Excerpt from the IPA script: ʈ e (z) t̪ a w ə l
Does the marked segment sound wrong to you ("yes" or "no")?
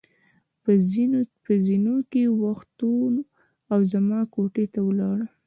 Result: yes